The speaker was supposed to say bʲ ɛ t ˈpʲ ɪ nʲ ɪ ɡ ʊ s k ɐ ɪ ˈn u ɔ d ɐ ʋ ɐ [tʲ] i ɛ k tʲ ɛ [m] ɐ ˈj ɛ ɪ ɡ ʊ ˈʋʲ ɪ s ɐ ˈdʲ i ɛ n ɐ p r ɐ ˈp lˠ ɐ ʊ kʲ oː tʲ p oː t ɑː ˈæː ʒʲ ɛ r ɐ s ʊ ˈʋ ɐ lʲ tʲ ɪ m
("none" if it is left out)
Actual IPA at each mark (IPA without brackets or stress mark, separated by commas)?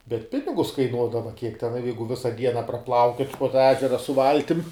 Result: kʲ, n